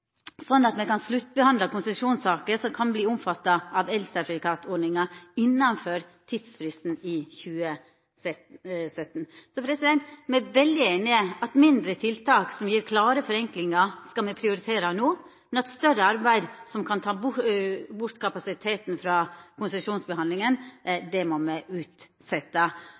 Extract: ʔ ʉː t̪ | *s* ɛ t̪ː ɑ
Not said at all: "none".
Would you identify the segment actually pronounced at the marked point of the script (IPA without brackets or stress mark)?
s